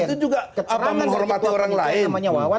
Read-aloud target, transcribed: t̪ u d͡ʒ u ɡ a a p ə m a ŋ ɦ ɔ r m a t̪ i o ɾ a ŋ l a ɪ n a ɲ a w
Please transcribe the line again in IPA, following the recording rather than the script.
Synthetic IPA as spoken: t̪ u d͡ʒ u ɡ a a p a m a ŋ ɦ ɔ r m a t̪ i o ɾ a ŋ l a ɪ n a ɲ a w